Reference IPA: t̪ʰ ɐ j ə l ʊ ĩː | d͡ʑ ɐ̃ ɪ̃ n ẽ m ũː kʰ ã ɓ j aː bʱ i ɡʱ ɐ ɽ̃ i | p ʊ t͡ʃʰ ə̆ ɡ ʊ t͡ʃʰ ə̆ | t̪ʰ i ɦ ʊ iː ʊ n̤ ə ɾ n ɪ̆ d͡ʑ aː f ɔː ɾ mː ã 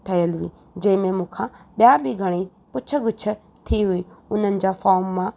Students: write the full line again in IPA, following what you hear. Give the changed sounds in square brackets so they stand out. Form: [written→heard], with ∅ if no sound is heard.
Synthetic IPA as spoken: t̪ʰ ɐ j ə l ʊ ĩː | d͡ʑ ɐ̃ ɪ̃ [n→m] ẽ m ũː kʰ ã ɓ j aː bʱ i ɡʱ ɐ ɽ̃ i | p ʊ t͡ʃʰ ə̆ ɡ ʊ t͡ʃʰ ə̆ | t̪ʰ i ɦ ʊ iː ʊ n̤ ə [ɾ→∅] n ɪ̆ d͡ʑ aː f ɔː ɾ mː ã